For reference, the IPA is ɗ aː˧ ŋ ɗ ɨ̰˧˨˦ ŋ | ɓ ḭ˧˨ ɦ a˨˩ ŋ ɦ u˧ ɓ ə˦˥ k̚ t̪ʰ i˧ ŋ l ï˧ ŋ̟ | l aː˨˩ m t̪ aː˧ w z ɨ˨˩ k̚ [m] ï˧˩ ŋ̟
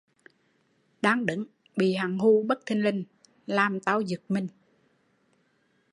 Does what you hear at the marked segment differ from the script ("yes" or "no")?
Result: no